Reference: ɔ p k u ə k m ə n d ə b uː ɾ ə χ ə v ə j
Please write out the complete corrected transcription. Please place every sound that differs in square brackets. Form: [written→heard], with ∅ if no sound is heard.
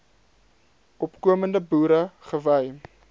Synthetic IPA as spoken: ɔ p k u ə [k→∅] m ə n d ə b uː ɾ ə χ ə v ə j